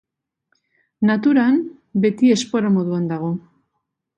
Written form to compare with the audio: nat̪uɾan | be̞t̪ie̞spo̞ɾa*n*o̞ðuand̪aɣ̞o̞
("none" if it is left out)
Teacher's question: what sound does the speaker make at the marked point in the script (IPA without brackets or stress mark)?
m